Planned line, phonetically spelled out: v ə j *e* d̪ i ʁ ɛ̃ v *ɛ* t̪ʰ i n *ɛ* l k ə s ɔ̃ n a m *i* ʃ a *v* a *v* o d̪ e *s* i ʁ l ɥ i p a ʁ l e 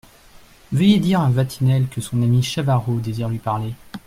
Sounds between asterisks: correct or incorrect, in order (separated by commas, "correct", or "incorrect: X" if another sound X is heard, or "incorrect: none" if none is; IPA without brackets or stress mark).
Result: correct, incorrect: a, correct, correct, correct, incorrect: ʁ, incorrect: z